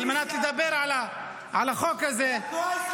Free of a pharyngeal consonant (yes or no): no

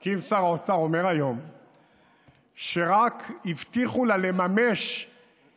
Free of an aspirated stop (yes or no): yes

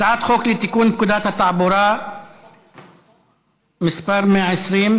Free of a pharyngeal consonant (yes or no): no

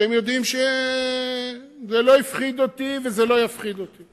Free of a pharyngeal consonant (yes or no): yes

